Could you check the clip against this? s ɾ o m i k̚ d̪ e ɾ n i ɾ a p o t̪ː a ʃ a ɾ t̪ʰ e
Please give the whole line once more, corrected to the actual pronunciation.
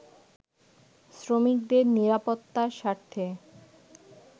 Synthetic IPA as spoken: s ɾ o m i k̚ d̪ e ɾ n i ɾ a p o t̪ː a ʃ a ɾ t̪ʰ e